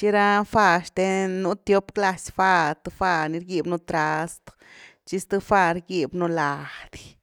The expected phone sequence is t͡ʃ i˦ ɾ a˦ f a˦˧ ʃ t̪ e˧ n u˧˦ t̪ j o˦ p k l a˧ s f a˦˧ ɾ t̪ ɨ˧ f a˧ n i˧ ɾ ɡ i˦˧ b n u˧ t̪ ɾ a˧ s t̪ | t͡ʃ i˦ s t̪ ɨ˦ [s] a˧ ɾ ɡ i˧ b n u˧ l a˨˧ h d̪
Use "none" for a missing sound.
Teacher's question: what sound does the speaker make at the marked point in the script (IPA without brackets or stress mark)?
f